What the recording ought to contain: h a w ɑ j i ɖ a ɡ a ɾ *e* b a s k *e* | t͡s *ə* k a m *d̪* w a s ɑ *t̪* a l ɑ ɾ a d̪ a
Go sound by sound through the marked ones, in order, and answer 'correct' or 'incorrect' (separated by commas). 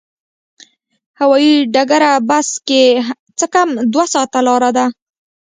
incorrect, correct, correct, correct, correct